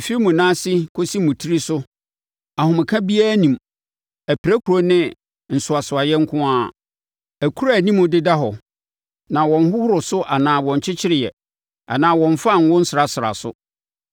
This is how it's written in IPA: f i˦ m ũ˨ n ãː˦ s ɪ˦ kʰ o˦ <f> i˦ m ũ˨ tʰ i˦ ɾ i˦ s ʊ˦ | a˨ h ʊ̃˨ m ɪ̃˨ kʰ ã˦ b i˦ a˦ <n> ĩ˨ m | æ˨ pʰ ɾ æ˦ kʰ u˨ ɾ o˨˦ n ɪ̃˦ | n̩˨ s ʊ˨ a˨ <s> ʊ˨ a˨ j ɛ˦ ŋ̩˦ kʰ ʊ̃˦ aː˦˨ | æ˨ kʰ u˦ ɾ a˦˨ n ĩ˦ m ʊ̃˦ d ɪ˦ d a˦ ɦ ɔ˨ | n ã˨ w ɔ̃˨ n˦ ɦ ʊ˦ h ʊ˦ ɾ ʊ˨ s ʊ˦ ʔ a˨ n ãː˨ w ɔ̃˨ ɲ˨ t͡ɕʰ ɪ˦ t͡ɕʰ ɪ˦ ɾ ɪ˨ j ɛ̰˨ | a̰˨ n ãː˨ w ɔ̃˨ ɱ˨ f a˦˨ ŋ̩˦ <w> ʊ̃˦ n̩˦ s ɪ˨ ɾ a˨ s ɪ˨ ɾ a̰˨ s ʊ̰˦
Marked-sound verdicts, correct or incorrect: incorrect: s, correct, correct, correct

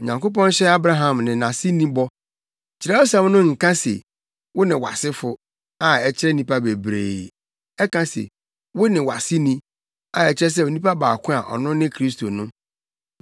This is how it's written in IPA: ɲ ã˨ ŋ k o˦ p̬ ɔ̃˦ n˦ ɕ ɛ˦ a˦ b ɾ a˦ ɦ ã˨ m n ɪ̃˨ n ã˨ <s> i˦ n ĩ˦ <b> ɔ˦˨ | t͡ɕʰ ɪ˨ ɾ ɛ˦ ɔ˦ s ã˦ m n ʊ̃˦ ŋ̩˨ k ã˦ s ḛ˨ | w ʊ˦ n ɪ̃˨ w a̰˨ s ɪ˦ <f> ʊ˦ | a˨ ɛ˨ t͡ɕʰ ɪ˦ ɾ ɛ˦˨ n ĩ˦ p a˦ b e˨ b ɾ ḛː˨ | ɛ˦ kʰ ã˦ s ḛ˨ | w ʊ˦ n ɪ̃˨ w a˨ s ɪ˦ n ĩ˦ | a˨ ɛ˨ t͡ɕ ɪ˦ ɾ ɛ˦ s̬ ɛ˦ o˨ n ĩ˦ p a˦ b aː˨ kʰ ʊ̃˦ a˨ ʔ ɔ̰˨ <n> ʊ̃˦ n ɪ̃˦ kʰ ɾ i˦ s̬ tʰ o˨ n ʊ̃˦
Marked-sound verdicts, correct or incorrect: correct, correct, correct, correct

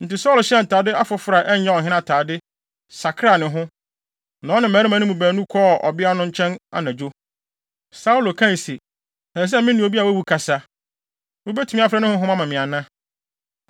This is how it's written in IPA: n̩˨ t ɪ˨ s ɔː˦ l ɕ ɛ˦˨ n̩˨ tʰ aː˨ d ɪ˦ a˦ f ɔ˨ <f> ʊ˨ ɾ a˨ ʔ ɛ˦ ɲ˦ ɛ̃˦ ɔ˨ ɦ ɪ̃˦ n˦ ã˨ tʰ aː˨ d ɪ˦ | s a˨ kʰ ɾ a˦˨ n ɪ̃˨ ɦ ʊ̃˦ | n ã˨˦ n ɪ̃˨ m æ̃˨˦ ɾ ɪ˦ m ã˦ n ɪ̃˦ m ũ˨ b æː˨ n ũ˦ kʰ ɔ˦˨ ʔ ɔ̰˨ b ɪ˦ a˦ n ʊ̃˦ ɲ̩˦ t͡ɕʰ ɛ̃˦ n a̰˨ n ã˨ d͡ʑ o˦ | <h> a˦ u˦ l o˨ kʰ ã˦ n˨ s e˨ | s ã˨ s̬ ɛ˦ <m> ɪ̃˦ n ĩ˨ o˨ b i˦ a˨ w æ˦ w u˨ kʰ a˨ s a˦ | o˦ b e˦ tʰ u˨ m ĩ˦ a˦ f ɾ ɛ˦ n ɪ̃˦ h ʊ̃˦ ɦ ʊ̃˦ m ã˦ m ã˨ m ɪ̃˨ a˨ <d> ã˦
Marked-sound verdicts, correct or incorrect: correct, incorrect: s, correct, incorrect: n

